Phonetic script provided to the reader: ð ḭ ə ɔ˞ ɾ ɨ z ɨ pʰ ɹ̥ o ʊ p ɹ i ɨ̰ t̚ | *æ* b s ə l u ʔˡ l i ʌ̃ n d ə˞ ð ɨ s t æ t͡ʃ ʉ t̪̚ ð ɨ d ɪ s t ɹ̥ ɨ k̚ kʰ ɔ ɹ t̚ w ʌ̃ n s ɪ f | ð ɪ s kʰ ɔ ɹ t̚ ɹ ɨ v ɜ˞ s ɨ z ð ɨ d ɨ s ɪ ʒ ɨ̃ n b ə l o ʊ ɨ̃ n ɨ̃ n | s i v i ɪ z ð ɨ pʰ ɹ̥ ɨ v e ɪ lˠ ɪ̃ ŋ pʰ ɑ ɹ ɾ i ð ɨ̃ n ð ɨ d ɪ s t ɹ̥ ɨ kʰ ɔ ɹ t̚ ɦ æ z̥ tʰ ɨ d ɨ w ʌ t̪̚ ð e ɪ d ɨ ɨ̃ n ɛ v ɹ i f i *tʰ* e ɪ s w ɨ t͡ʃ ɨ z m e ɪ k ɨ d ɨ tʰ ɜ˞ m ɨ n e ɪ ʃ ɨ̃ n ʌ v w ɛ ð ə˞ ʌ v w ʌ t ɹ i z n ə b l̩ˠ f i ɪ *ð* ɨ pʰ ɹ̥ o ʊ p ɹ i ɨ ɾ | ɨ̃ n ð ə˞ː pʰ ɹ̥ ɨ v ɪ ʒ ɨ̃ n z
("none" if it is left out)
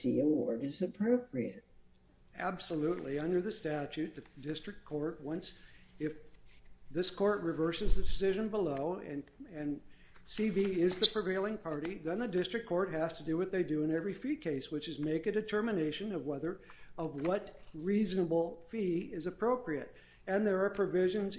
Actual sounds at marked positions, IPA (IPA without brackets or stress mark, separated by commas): æ, kʰ, z